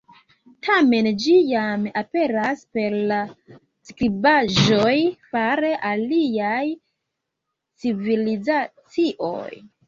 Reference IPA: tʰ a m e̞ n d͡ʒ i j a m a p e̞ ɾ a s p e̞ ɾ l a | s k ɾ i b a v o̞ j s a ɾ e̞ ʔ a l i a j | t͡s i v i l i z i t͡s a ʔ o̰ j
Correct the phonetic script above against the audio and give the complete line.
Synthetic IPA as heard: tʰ a m e̞ n d͡ʒ i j a m a p e̞ ɾ a s p e̞ ɾ l a | s k ɾ i b a ʒ o̞ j f a ɾ e̞ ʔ a l i a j | t͡s i v i l i z a t͡s i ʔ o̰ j